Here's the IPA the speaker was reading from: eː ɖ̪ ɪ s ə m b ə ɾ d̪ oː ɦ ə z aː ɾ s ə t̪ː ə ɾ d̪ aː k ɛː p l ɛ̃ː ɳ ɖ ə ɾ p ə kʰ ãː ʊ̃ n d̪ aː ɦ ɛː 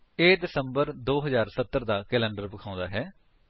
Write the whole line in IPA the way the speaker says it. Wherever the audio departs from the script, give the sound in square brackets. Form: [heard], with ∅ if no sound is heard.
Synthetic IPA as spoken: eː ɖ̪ ɪ s ə m b ə ɾ d̪ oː ɦ ə z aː ɾ s ə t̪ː ə ɾ d̪ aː k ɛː [∅] l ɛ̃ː ɳ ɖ ə ɾ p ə kʰ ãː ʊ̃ n d̪ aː ɦ ɛː